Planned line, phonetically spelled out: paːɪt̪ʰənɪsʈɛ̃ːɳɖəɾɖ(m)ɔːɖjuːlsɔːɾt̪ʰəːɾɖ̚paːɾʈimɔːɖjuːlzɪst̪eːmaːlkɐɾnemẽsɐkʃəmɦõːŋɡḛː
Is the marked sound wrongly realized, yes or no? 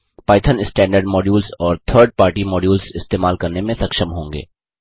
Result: no